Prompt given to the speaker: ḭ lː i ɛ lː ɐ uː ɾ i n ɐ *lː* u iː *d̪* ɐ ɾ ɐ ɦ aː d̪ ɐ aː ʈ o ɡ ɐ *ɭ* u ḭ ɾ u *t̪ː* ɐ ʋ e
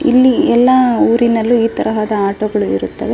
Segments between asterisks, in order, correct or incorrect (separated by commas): correct, incorrect, correct, correct